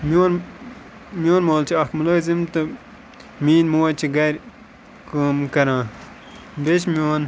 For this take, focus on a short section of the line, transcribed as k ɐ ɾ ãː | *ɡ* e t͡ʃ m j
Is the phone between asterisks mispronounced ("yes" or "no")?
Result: yes